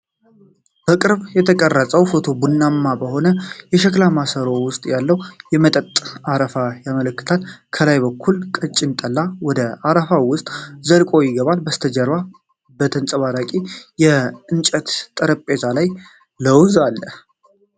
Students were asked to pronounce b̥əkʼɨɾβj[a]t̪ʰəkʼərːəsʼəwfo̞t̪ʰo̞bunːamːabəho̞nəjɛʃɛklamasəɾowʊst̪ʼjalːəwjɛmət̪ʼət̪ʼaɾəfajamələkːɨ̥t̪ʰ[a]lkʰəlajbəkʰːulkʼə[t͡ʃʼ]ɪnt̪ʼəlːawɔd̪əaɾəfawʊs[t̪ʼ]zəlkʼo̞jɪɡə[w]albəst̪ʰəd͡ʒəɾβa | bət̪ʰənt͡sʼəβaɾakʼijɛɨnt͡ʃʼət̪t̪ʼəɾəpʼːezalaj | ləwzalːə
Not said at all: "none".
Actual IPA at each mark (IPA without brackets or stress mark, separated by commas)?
ɛ, a, t͡ʃʼ, t̪ʼ, β